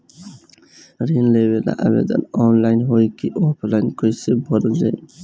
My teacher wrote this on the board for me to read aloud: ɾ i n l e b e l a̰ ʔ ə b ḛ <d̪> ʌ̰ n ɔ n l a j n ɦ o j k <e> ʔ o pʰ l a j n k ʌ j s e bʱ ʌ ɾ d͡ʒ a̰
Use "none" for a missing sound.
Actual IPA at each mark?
d̪, i

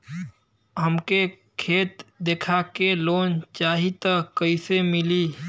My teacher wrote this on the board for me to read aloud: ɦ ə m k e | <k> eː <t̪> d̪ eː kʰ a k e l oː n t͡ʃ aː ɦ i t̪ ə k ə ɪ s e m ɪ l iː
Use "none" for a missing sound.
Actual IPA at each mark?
kʰ, t̪

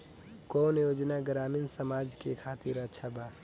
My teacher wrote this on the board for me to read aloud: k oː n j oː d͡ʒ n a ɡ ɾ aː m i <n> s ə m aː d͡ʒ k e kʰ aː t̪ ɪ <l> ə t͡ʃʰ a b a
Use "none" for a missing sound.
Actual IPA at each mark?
n, ɾ

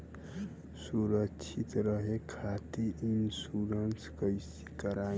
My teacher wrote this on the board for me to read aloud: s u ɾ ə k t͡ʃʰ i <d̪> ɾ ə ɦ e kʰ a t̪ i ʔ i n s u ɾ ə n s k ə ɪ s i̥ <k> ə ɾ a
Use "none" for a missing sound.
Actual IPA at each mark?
t̪, k

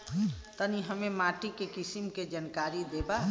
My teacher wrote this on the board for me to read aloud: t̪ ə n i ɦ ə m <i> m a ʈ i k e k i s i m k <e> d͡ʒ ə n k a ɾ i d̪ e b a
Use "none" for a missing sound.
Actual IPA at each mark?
e, e

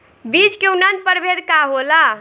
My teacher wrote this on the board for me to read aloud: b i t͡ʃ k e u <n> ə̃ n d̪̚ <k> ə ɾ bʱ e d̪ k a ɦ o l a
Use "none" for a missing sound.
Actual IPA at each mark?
n, p

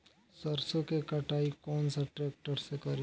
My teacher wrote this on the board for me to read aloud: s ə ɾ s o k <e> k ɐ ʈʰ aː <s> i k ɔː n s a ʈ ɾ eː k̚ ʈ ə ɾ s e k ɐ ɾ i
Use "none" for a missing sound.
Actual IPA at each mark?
e, none

